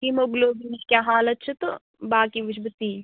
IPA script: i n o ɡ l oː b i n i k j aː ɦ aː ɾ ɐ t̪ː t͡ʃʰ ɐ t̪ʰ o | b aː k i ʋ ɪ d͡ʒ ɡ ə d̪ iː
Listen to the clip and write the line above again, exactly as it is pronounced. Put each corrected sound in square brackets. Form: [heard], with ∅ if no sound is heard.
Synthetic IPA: i [m] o ɡ l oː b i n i k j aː ɦ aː [l] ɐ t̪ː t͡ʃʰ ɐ [t̪] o | b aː k i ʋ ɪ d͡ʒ [b] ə [t̪] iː